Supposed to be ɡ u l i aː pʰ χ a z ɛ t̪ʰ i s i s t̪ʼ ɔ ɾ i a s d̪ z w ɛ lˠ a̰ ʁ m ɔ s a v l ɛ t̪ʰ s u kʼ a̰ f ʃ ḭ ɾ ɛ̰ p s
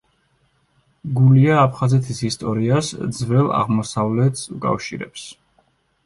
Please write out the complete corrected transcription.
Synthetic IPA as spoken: ɡ u l i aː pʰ χ a z ɛ t̪ʰ i s i s t̪ʼ ɔ ɾ i a s d̪ z v ɛ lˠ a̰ ʁ m ɔ s a v l ɛ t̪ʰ s u kʼ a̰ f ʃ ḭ ɾ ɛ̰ p s

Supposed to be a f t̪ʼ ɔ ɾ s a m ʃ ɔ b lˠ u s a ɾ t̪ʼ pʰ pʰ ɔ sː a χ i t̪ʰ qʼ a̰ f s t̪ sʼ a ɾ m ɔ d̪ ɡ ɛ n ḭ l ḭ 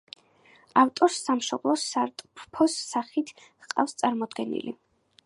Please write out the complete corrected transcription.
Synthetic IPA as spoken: a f t̪ʼ ɔ ɾ s a m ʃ ɔ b lˠ ɔ s a ɾ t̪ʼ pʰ pʰ ɔ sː a χ i t̪ʰ qʼ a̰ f s t̪ sʼ a ɾ m ɔ d̪ ɡ ɛ n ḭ l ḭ

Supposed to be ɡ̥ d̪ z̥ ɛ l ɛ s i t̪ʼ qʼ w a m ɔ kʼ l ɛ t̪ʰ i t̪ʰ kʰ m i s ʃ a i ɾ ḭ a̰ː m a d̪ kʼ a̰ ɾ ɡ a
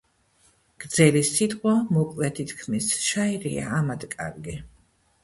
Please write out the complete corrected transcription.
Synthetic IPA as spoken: ɡ̥ d̪ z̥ ɛ l i s i t̪ʼ qʼ w a m ɔ kʼ l ɛ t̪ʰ i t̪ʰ kʰ m i s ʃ a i ɾ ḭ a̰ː m a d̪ kʼ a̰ ɾ ɡ i

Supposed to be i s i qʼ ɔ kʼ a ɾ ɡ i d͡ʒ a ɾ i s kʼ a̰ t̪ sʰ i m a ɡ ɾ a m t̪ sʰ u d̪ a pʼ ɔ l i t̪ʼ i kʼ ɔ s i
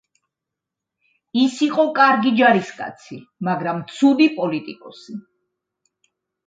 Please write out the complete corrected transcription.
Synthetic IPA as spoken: i s i qʼ ɔ kʼ a ɾ ɡ i d͡ʒ a ɾ i s kʼ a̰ t̪ sʰ i m a ɡ ɾ a m t̪ sʰ u d̪ i pʼ ɔ l i t̪ʼ i kʼ ɔ s i

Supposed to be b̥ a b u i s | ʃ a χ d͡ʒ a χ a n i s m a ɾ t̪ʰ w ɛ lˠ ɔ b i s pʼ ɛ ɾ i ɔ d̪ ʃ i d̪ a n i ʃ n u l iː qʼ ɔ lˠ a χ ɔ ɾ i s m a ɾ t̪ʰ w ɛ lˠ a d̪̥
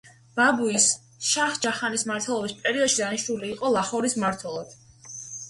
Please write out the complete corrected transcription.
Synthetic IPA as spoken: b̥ a b u i s | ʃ a χ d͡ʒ a χ a n i s m a ɾ t̪ʰ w ɛ lˠ ɔ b i s pʼ ɛ ɾ i ɔ d̪ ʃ i d̪ a n i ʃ n u l iː qʼ ɔ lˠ a χ ɔ ɾ i s m a ɾ t̪ʰ w ɛ lˠ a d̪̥

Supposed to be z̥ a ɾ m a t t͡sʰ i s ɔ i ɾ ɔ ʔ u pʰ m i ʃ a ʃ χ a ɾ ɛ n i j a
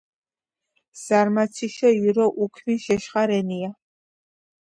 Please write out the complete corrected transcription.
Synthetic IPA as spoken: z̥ a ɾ m a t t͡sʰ i ʃ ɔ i ɾ ɔ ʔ u kʰ m i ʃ ɛ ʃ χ a ɾ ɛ n i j a

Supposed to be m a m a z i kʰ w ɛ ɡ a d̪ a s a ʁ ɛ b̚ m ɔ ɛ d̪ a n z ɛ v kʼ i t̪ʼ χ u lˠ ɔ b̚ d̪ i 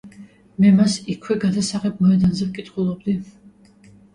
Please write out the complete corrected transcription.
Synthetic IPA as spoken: m ɛ m a s i kʰ w ɛ ɡ a d̪ a s a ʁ ɛ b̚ m ɔ ɛ d̪ a n z ɛ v kʼ i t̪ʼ χ u lˠ ɔ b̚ d̪ i

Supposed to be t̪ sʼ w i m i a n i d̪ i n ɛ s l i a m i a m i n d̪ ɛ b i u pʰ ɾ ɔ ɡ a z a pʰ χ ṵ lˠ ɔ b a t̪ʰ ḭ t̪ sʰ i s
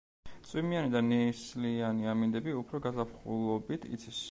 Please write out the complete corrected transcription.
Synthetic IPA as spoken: t̪ sʼ w i m i a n i d̪ a n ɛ s l i a n i a m i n d̪ ɛ b i u pʰ ɾ ɔ ɡ a z a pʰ χ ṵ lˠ ɔ b i t̪ʰ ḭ t̪ sʰ i s

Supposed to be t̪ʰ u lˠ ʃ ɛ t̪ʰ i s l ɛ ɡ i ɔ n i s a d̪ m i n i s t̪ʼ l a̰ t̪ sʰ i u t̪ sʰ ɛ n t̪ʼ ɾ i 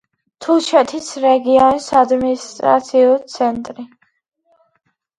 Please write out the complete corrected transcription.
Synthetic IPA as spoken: t̪ʰ u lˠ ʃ ɛ t̪ʰ i s ɾ ɛ ɡ i ɔ n i s a d̪ m i n i s t̪ʼ ɾ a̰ t̪ sʰ i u t̪ sʰ ɛ n t̪ʼ ɾ i

